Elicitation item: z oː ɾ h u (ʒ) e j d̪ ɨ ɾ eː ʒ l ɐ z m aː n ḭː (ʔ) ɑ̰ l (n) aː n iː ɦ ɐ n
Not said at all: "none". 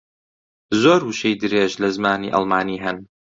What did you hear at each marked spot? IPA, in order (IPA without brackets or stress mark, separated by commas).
ʃ, ʔ, m